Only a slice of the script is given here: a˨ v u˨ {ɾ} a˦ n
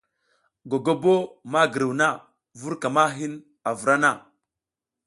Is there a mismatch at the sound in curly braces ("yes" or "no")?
no